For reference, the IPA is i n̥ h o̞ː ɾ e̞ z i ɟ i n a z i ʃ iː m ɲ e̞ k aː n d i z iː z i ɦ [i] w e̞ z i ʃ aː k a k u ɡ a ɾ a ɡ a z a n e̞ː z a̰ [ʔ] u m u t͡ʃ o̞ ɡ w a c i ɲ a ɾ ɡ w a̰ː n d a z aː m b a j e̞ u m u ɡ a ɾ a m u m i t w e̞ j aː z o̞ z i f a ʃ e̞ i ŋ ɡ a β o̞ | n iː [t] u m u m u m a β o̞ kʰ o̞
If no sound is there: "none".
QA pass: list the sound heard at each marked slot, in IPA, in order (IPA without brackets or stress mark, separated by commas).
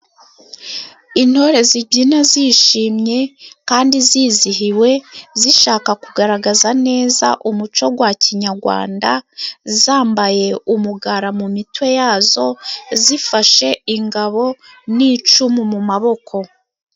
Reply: i, ʔ, t͡ʃ